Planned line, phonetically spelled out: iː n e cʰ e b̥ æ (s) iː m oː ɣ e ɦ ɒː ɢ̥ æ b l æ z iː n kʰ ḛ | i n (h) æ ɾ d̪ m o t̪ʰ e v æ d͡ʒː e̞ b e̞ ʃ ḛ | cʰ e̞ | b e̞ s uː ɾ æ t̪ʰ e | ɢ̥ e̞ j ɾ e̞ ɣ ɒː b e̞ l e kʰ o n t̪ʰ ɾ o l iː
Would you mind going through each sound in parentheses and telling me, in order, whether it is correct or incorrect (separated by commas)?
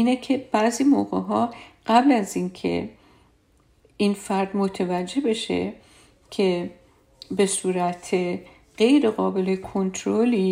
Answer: incorrect, incorrect